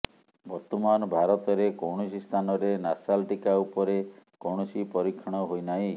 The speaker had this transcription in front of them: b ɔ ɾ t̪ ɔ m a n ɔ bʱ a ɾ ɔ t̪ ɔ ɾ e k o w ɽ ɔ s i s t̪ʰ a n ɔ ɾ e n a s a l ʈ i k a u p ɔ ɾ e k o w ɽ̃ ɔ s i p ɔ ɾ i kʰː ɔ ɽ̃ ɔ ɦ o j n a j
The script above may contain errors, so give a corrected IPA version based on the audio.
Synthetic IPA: b ɔ ɾ t̪ ɔ m a n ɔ bʱ a ɾ ɔ t̪ ɔ ɾ e k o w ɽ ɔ s i s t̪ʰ a n ɔ ɾ e n a s a l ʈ i k a u p ɔ ɾ e k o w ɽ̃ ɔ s i p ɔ ɾ i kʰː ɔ ɽ̃ ɔ ɦ o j n a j